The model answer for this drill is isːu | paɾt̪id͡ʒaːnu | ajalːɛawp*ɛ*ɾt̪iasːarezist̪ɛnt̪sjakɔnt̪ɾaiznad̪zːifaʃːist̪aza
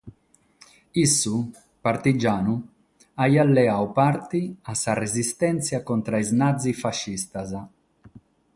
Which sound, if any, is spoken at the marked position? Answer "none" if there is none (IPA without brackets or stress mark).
a